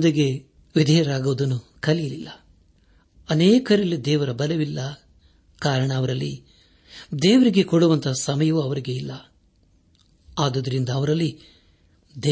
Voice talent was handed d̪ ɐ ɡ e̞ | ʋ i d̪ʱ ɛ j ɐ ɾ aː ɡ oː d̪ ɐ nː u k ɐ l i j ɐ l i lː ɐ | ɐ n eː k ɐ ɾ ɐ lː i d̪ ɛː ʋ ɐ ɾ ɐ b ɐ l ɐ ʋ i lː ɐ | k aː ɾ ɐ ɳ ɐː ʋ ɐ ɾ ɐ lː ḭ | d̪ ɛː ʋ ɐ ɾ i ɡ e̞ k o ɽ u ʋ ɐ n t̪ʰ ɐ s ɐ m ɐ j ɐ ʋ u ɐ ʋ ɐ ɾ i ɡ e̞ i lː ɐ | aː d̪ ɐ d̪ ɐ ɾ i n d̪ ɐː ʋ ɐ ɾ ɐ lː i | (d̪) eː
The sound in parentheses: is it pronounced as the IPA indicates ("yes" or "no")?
yes